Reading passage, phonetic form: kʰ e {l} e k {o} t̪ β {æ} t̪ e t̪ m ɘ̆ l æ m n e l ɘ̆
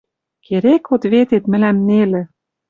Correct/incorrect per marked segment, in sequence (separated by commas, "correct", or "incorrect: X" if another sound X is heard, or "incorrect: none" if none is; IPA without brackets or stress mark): incorrect: ɾ, correct, incorrect: e